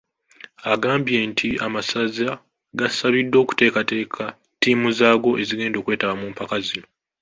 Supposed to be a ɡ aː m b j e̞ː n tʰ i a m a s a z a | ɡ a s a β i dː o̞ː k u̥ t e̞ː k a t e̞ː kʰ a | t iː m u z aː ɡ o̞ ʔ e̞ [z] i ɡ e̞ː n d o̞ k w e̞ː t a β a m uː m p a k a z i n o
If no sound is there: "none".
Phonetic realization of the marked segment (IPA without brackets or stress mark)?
z